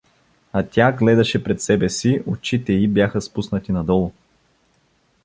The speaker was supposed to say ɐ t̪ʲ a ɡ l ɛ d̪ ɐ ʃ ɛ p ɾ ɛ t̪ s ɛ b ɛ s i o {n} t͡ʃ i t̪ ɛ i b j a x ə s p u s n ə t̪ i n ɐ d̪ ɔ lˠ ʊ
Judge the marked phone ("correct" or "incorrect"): incorrect